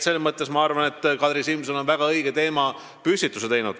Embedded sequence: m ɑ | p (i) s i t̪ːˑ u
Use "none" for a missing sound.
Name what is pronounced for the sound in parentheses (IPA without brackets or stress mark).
y